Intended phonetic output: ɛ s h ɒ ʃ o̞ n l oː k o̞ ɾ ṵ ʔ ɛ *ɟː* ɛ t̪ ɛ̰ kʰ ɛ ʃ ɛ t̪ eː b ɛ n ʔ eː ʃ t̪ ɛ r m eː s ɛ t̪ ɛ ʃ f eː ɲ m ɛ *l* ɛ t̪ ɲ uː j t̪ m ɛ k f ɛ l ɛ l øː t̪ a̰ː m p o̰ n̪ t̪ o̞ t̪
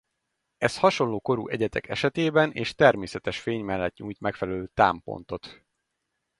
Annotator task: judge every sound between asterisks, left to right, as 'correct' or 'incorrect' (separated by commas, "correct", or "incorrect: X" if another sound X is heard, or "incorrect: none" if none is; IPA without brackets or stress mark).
incorrect: ɟ, incorrect: lː